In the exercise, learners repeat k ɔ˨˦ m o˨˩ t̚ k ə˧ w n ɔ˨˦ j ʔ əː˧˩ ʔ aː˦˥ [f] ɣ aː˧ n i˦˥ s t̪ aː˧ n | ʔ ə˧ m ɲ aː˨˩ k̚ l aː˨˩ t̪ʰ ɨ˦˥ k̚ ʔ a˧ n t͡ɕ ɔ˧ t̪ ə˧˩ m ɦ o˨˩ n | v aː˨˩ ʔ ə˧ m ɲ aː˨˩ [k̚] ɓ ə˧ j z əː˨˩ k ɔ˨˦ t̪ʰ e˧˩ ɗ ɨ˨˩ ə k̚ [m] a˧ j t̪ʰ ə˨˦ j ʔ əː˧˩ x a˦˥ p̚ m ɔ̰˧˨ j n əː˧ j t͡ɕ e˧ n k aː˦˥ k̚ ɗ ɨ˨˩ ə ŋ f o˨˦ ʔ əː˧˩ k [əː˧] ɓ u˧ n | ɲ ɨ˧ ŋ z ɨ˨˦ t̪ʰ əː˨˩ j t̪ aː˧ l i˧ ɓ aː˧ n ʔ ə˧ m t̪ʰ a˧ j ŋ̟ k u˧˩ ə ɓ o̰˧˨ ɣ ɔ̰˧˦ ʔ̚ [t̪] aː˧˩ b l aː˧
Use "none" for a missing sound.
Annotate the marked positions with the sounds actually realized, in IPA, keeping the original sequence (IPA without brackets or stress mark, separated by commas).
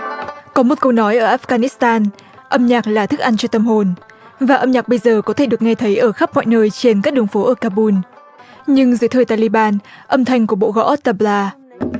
f, k̚, ŋ, aː˧, t̪